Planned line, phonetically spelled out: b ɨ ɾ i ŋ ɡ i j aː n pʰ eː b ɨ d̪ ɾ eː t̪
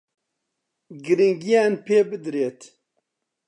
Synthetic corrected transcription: ɡ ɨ ɾ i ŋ ɡ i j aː n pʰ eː b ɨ d̪ ɾ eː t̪